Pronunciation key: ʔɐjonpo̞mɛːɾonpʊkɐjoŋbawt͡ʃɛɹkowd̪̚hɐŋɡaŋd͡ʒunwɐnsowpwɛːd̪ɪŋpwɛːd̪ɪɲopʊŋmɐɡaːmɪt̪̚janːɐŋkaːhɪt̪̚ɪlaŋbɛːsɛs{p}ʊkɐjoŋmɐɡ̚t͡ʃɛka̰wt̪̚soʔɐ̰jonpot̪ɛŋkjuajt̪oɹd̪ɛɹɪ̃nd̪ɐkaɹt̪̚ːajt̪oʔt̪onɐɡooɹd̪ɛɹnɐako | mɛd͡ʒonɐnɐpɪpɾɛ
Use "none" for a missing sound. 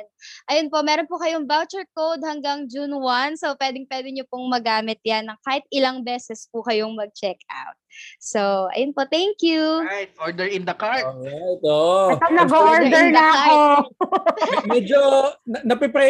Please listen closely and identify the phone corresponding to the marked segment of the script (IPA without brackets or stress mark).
p